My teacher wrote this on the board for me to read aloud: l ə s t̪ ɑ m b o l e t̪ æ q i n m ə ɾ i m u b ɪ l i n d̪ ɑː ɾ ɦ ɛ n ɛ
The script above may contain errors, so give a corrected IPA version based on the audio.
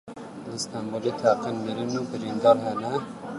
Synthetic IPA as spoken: l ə s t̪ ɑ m b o l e t̪ʰ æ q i n m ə ɾ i n u b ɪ ɾ i n d̪ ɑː ɾ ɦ ɛ n ɛ